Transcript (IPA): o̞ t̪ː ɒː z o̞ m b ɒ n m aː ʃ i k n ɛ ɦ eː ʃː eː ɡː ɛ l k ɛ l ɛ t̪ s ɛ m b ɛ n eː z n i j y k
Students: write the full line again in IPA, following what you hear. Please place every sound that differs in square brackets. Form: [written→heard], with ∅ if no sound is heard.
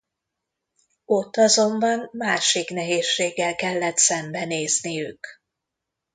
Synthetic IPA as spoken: o̞ t̪ː [ɒː→ɒ] z o̞ m b ɒ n m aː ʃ i k n ɛ ɦ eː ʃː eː ɡː ɛ l k ɛ [l→lː] ɛ t̪ s ɛ m b ɛ n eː z n i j y k